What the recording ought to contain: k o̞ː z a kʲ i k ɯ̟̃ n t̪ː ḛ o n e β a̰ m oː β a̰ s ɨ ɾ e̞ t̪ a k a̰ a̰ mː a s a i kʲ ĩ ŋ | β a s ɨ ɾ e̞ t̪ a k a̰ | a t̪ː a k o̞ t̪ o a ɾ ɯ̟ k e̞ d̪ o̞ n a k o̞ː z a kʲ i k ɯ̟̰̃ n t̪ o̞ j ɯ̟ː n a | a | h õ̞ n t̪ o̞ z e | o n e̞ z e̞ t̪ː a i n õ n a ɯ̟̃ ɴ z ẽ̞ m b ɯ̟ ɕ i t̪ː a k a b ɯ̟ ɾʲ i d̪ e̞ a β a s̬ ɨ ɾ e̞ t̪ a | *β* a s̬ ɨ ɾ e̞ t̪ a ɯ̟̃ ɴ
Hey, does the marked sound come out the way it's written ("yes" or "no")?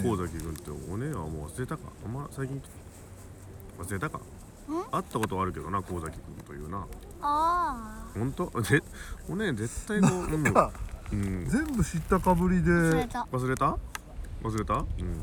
yes